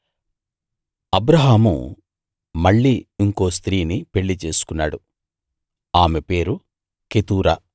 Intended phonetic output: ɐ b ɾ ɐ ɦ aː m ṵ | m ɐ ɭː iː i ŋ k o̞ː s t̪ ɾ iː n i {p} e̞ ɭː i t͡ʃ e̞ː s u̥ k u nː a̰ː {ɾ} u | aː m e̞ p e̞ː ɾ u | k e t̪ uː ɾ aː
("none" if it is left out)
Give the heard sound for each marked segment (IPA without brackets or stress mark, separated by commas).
p, ɽ